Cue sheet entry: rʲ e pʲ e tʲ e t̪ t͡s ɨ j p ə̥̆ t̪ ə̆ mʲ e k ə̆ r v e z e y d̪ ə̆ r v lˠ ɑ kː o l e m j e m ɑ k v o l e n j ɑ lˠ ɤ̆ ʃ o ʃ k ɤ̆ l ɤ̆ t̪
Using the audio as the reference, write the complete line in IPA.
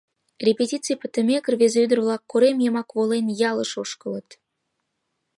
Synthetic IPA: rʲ e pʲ e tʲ i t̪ t͡s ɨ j p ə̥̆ t̪ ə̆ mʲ e k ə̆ r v e z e y d̪ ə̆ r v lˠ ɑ kː o ɾ e m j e m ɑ k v o l e n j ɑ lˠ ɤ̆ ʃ o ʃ k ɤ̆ l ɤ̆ t̪